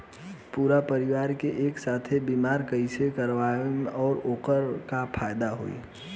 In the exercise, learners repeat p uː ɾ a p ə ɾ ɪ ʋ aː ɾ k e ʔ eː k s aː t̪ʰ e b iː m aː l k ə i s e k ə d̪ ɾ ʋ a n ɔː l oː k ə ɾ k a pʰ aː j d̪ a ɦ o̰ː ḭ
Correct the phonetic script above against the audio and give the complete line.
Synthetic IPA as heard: p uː ɾ a p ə ɾ ɪ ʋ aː ɾ k e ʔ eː k s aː t̪ʰ e b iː m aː ɾ k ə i s e k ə ɾ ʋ a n ɔː ɾ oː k ə ɾ k a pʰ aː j d̪ a ɦ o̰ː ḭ

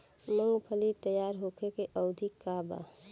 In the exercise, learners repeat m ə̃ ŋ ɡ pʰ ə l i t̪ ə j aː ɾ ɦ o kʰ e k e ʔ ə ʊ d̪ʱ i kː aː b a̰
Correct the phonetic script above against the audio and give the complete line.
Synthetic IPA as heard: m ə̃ ŋ ɡ pʰ ə l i t̪ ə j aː ɾ ɦ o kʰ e k e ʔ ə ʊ d̪ʱ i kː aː b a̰

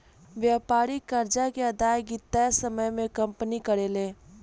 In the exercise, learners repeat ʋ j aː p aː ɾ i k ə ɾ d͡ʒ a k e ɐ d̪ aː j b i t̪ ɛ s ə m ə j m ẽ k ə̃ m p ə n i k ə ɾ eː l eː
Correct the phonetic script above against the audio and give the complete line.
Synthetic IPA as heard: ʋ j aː p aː ɾ i k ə ɾ d͡ʒ a k e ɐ d̪ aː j ɡ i t̪ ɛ s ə m ə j m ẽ k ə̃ m p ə n i k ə ɾ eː l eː

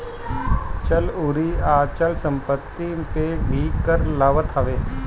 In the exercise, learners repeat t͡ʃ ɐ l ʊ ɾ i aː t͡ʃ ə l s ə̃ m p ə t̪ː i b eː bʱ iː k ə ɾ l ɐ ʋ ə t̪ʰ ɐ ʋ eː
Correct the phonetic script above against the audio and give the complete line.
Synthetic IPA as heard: t͡ʃ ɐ l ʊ ɾ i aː t͡ʃ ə l s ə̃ m p ə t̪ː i p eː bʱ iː k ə ɾ l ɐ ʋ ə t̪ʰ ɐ ʋ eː

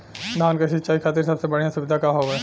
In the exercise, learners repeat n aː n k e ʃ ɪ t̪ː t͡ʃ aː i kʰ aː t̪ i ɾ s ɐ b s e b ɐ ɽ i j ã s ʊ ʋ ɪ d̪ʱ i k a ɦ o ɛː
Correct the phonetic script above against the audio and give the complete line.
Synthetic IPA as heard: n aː n k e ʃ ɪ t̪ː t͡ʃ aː i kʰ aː t̪ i ɾ s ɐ b s e b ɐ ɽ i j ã s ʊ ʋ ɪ d̪ʱ a k a ɦ o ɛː

